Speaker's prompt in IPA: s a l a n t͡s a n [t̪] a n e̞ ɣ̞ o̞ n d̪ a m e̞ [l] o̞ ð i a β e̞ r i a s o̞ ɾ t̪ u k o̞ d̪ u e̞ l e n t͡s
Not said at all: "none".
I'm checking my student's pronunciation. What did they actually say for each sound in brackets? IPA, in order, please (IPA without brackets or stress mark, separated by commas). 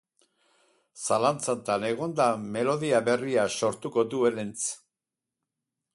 t̪, l